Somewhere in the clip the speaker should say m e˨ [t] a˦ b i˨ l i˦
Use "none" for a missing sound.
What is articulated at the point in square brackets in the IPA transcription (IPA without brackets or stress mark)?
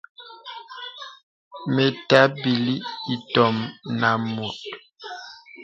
t